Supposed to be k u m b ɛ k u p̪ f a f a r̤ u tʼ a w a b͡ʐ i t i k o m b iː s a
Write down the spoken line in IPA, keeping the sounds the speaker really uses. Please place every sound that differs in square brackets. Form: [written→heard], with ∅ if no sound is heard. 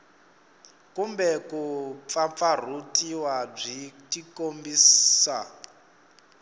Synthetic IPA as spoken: k u m b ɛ k u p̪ f a f a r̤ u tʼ [a→i] w a b͡ʐ i t i k o m b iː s a